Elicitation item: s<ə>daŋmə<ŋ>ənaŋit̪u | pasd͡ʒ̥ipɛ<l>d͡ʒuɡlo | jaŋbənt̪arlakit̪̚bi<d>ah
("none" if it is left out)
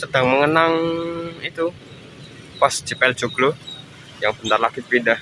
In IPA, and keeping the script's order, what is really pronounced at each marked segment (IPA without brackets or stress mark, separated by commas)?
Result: ə, ŋ, l, d